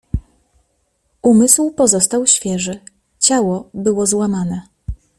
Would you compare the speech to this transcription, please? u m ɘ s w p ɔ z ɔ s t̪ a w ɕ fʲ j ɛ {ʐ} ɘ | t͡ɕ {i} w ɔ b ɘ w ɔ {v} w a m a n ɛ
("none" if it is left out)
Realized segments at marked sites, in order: ʐ, a, z

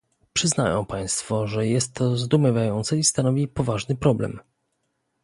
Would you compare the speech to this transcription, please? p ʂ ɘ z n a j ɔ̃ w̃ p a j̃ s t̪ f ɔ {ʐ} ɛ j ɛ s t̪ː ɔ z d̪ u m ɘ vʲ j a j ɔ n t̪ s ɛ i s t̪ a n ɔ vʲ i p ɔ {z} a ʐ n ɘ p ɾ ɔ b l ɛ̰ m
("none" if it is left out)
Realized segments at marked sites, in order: ʐ, v

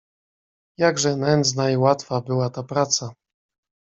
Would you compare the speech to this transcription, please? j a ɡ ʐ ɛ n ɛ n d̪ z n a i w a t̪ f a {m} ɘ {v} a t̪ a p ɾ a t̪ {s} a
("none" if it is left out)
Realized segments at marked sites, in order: b, w, s

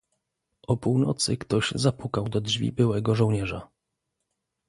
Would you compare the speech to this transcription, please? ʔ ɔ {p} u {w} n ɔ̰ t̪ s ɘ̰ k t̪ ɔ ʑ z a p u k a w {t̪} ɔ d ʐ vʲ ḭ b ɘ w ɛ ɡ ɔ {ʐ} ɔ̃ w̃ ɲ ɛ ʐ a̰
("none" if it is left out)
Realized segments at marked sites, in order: p, w, d̪, ʐ

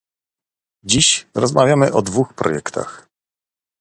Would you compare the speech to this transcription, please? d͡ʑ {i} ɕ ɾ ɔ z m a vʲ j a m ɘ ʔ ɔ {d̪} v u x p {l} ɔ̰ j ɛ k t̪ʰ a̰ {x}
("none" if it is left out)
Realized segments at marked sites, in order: i, d̪, ɾ, x

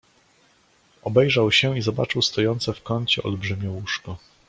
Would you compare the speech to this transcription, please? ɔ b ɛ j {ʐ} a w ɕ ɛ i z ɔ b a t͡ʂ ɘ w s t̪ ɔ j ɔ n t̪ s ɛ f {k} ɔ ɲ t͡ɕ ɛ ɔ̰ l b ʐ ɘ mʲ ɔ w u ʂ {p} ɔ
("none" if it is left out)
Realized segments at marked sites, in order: ʐ, k, k

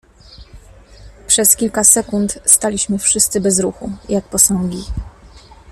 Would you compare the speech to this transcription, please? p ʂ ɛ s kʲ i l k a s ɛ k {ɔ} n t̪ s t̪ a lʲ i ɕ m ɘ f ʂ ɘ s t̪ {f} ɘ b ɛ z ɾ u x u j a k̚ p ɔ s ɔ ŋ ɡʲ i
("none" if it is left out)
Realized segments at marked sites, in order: u, s

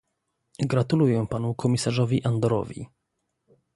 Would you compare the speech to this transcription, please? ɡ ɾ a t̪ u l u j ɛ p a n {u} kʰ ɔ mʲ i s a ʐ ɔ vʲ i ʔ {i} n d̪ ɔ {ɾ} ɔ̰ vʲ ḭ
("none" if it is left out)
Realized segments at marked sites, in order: u, a, ɾ

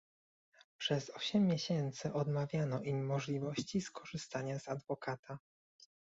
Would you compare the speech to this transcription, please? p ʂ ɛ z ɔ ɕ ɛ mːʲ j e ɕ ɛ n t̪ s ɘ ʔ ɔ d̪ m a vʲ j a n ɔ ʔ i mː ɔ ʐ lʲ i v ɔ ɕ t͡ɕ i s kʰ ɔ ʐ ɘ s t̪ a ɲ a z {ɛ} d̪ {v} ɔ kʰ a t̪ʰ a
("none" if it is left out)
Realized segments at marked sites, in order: a, v

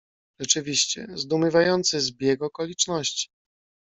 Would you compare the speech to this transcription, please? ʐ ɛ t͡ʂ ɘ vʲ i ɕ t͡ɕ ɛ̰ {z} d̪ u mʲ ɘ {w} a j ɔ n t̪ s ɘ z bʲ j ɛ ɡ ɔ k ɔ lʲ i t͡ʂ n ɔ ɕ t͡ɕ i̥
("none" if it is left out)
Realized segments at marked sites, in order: z, v

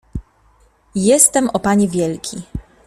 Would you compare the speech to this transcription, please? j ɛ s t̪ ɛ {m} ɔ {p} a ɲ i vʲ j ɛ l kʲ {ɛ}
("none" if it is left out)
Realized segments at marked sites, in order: m, p, i

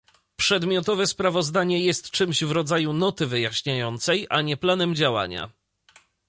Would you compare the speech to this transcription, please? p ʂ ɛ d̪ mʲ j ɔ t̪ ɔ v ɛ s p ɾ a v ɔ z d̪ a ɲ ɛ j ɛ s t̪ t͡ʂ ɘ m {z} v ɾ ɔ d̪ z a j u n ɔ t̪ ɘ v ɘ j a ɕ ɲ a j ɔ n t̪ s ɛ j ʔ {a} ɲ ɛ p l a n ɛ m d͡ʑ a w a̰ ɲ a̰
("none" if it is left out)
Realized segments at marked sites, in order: ʑ, a

